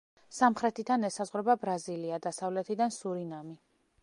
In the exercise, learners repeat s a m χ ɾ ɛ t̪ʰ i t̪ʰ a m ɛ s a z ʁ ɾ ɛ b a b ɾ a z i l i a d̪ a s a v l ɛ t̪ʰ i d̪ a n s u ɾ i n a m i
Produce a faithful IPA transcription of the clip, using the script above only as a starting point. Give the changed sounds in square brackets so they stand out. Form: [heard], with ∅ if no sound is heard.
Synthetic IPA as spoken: s a m χ ɾ ɛ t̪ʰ i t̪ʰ a [n] ɛ s a z ʁ ɾ ɛ b a b ɾ a z i l i a d̪ a s a v l ɛ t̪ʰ i d̪ a n s u ɾ i n a m i